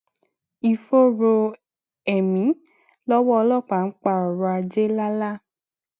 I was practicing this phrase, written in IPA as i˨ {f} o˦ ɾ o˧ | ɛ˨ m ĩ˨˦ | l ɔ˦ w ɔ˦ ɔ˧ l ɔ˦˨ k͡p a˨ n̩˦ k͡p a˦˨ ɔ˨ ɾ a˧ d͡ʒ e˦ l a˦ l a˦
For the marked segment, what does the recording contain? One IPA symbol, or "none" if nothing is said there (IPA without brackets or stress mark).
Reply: f